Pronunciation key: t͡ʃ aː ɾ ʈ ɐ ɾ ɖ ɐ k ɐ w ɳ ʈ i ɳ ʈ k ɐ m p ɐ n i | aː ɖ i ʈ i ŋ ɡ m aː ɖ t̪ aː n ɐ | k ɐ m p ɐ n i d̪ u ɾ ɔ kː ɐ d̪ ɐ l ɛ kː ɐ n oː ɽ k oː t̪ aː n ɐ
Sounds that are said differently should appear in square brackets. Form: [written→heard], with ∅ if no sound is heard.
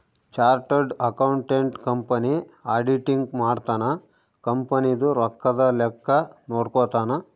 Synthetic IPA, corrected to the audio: t͡ʃ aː ɾ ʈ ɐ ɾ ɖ ɐ k ɐ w ɳ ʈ [i→e] ɳ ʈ k ɐ m p ɐ n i | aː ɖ i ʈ i ŋ ɡ m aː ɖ t̪ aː n ɐ | k ɐ m p ɐ n i d̪ u ɾ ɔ kː ɐ d̪ ɐ l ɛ kː ɐ n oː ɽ k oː t̪ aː n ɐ